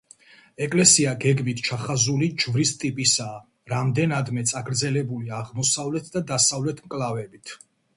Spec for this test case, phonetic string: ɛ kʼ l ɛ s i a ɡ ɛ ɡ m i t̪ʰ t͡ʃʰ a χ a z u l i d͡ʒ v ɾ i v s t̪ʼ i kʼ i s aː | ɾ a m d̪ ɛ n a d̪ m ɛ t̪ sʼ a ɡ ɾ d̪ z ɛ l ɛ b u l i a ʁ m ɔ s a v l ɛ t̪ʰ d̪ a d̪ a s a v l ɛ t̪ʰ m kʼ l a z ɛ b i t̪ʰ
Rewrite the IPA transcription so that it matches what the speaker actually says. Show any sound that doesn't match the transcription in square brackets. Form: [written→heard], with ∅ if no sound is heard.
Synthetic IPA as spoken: ɛ kʼ l ɛ s i a ɡ ɛ ɡ m i t̪ʰ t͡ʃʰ a χ a z u l i d͡ʒ v ɾ i [v→∅] s t̪ʼ i [kʼ→pʼ] i s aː | ɾ a m d̪ ɛ n a d̪ m ɛ t̪ sʼ a ɡ ɾ d̪ z ɛ l ɛ b u l i a ʁ m ɔ s a v l ɛ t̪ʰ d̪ a d̪ a s a v l ɛ t̪ʰ m kʼ l a [z→v] ɛ b i t̪ʰ